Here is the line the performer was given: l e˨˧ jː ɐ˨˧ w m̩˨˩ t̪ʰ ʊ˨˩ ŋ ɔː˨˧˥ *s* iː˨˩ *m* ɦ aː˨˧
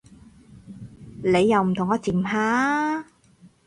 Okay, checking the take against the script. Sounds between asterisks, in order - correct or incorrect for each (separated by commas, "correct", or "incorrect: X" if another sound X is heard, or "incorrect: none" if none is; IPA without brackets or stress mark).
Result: incorrect: t͡s, correct